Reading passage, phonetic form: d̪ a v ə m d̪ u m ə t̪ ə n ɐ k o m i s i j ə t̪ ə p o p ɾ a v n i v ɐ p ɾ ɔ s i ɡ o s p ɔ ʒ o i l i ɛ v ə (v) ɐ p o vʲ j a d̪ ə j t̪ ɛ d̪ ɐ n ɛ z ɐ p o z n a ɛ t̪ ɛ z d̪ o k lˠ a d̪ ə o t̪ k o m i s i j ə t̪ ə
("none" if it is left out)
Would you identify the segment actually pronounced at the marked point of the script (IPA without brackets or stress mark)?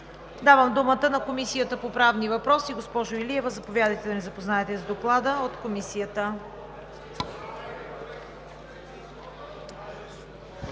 z